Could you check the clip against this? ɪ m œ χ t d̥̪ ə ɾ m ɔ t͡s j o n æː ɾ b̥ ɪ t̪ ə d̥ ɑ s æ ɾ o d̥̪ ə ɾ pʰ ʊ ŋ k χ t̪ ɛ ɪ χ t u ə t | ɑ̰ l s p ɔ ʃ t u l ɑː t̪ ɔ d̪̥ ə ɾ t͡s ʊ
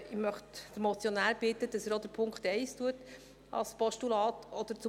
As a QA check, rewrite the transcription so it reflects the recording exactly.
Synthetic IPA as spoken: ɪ m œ χ t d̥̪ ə ɾ m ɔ t͡s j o n æː ɾ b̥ ɪ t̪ ə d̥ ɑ s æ ɾ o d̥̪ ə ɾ pʰ ʊ ŋ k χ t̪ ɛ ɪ s t u ə t | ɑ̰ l s p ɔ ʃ t u l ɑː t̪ ɔ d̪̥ ə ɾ t͡s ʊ